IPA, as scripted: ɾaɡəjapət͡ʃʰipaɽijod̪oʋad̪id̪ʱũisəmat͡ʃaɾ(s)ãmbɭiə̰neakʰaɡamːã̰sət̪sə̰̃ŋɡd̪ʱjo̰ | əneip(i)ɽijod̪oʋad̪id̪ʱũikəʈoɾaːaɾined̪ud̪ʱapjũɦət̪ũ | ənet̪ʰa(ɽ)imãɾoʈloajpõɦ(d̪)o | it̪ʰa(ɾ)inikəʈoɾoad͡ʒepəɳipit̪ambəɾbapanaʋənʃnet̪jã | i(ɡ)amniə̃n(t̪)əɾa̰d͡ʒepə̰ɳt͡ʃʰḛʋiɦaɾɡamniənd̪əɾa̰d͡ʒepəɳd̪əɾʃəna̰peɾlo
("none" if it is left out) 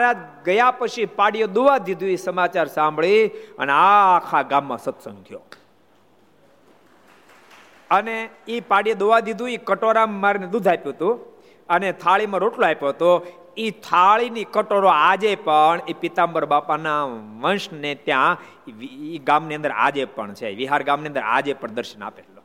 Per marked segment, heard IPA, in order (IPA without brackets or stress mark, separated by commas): s, a, ɭ, t̪, ɭ, ɡ, d̪